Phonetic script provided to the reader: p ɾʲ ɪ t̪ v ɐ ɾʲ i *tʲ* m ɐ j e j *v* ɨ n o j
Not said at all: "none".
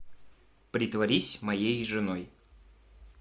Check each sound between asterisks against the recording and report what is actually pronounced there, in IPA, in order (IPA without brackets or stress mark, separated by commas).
sʲ, ʐ